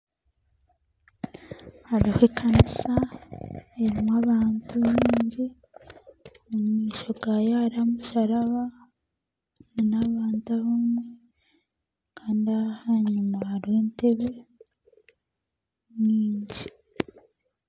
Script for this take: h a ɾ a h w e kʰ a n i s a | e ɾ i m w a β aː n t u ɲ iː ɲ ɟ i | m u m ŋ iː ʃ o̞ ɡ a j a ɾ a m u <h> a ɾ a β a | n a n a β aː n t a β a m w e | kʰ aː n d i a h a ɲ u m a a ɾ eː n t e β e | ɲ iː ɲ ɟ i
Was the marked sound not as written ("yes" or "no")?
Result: yes